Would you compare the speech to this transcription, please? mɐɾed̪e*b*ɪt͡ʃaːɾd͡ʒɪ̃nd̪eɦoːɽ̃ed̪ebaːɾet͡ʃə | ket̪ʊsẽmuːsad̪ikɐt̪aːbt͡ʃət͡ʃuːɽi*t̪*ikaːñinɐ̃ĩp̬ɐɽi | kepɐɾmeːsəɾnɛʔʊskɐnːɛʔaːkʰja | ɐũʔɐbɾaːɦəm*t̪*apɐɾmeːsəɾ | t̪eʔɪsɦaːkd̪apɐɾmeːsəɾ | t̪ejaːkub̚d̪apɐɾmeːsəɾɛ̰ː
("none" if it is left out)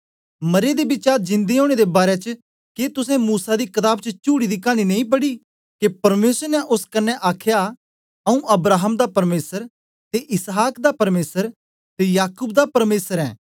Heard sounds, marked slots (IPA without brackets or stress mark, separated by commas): b, d̪, d̪